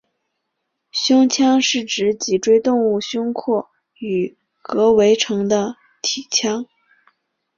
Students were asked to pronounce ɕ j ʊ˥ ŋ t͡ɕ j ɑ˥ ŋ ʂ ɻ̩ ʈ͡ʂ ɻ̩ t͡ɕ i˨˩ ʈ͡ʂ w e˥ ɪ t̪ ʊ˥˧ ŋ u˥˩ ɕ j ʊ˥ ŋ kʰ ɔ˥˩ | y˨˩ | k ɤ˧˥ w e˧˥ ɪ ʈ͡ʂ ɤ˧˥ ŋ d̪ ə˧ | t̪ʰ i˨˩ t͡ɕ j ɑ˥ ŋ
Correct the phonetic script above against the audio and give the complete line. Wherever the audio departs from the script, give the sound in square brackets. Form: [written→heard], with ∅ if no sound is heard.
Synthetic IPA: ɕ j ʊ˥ ŋ [t͡ɕ→t͡ɕʰ] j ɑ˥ ŋ ʂ ɻ̩ ʈ͡ʂ ɻ̩ t͡ɕ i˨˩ ʈ͡ʂ w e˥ ɪ t̪ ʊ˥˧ ŋ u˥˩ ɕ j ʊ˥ ŋ kʰ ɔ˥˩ | y˨˩ | k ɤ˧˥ w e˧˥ ɪ [ʈ͡ʂ→ʈ͡ʂʰ] ɤ˧˥ ŋ d̪ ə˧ | t̪ʰ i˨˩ [t͡ɕ→t͡ɕʰ] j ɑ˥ ŋ